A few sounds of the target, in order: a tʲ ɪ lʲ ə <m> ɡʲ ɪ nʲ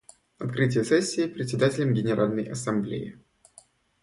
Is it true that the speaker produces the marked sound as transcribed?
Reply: yes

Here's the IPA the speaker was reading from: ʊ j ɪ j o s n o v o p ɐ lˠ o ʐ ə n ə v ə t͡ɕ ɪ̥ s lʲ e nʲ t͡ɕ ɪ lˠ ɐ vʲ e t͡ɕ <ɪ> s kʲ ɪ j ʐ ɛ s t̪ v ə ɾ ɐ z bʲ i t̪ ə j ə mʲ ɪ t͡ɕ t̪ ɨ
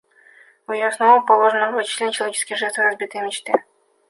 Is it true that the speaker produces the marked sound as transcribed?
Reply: yes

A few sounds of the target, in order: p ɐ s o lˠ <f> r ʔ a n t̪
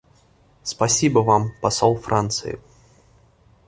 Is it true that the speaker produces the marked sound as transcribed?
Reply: yes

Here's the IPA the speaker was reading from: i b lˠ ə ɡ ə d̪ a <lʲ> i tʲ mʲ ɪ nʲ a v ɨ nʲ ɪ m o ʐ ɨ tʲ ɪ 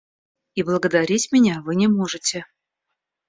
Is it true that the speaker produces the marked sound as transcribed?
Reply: no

